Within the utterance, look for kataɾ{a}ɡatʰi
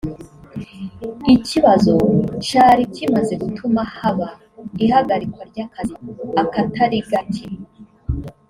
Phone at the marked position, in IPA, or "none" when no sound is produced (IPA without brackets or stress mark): i